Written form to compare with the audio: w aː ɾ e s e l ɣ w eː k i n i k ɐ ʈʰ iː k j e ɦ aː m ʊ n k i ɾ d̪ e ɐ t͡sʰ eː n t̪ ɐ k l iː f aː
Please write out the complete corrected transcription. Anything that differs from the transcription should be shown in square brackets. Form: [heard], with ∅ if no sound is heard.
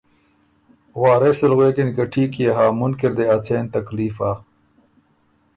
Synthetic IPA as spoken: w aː ɾ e s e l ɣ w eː k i n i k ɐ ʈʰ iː k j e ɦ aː m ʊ n k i ɾ d̪ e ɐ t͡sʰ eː n t̪ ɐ k l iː f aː